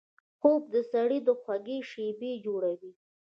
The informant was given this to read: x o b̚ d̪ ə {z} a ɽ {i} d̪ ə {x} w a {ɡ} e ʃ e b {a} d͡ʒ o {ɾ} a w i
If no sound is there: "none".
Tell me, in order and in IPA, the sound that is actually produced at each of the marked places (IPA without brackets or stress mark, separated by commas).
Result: s, i, x, ɡ, e, ɽ